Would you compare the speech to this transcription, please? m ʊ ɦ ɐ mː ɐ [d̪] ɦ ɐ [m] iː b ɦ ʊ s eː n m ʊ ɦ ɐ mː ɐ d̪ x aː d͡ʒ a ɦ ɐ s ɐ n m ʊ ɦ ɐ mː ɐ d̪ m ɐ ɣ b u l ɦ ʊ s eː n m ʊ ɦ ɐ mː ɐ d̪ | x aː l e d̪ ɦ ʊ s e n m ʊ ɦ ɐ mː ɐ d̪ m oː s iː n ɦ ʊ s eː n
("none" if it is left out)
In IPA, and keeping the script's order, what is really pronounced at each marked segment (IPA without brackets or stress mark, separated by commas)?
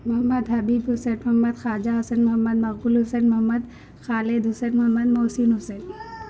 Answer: d̪, b